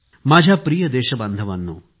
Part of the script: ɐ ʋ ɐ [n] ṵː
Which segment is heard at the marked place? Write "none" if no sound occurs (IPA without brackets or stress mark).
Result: nː